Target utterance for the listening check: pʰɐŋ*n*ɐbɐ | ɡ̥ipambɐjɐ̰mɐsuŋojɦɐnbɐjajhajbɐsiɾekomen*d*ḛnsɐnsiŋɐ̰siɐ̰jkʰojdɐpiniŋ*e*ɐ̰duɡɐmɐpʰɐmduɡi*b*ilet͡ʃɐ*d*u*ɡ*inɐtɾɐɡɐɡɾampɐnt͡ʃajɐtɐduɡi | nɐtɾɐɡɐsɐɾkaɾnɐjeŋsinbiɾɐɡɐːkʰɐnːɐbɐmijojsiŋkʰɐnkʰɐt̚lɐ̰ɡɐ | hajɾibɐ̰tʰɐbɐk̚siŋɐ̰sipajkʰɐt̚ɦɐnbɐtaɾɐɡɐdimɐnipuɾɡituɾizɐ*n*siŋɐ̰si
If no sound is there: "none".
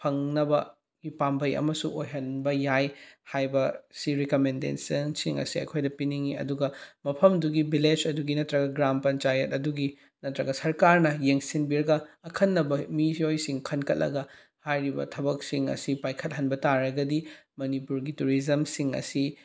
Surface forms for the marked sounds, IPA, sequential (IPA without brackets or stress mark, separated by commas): n, d, i, b, d, ɡ, m